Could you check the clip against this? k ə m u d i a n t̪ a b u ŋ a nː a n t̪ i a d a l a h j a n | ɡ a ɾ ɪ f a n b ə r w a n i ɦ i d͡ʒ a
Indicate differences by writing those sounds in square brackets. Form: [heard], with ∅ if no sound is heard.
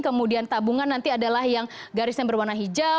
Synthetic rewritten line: k ə m u d i a n t̪ a b u ŋ a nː a n t̪ i a d a l a h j a [ŋ] | ɡ a ɾ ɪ [s] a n b ə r w a n [a] ɦ i d͡ʒ a